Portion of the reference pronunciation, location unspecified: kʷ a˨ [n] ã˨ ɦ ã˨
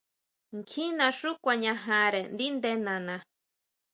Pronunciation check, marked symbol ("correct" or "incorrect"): incorrect